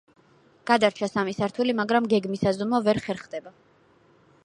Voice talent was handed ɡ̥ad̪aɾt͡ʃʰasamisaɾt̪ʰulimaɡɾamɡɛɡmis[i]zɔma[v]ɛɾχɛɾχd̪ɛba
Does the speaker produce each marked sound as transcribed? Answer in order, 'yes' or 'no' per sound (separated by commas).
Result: no, yes